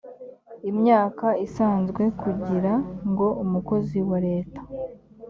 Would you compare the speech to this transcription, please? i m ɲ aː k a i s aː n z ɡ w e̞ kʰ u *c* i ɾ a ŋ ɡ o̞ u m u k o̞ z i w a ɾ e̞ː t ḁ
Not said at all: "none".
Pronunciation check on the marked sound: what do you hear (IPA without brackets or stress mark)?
ɟ